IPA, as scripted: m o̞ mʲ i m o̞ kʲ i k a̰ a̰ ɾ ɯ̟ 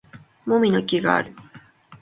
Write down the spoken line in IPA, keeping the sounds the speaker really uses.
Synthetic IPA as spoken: m o̞ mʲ i n o̞ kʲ i ɡ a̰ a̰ ɾ ɯ̟